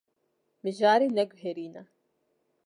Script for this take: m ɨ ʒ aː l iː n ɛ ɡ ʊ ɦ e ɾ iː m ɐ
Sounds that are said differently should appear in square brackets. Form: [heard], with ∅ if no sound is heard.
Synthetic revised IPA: m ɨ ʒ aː [ɾ] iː n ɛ ɡ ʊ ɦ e ɾ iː [n] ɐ